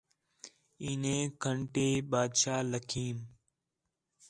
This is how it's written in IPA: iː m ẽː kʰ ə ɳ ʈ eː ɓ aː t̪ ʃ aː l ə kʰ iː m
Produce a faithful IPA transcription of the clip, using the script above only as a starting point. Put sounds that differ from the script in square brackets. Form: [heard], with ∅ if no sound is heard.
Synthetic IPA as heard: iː [n] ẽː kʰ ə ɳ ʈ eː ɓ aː [d̪] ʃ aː l ə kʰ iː m